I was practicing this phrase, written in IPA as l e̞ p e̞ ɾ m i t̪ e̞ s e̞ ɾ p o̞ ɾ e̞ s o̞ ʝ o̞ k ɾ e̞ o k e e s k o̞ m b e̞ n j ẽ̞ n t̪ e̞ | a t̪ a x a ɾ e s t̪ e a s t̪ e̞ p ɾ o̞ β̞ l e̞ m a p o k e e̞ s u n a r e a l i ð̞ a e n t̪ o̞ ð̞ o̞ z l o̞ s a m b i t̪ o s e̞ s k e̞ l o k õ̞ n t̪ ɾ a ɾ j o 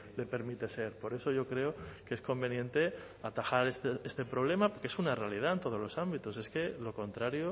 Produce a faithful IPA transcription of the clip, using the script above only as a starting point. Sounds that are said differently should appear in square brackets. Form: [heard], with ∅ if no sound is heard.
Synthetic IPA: l e̞ p e̞ ɾ m i t̪ e̞ s e̞ ɾ p o̞ ɾ e̞ s o̞ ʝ o̞ k ɾ e̞ o k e e s k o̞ m b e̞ n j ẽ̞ n t̪ e̞ | a t̪ a x a ɾ e s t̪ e [e] s t̪ e̞ p ɾ o̞ β̞ l e̞ m a p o k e e̞ s u n a r e a l i ð̞ a e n t̪ o̞ ð̞ o̞ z l o̞ s a m b i t̪ o s e̞ s k e̞ l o k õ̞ n t̪ ɾ a ɾ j o